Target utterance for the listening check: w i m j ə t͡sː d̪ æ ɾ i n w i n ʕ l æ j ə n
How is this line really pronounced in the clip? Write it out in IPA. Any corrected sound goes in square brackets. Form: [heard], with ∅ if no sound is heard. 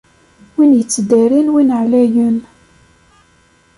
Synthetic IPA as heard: w i [n] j ə t͡sː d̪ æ ɾ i n w i n ʕ l æ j ə n